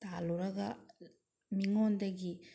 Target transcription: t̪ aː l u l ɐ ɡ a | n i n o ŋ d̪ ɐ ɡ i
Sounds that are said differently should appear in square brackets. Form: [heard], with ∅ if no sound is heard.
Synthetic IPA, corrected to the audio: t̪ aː l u [ɾ] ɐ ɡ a | [m] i [ŋ] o [n] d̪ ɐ ɡ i